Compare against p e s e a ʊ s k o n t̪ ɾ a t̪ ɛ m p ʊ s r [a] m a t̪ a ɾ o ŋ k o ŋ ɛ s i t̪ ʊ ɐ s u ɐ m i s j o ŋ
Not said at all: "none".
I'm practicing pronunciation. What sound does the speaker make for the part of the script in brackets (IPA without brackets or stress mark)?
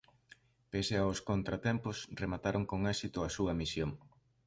e